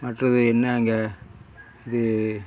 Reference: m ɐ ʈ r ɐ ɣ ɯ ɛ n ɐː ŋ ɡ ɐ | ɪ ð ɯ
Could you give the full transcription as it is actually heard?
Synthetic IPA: m ɐ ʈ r ɐ ð ɯ ɛ nː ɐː ŋ ɡ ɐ | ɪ ð ɯ